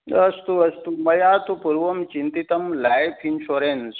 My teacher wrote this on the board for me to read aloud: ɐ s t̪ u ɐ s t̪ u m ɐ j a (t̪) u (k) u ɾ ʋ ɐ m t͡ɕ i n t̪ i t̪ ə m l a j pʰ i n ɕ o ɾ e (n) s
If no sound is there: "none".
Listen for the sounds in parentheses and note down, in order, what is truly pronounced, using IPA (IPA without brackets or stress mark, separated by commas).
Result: t̪, p, n